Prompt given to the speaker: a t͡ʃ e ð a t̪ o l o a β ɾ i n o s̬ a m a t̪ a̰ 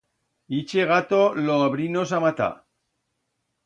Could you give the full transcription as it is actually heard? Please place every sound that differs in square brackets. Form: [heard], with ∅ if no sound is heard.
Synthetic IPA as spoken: [i] t͡ʃ e [ɣ] a t̪ o l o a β ɾ i n o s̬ a m a t̪ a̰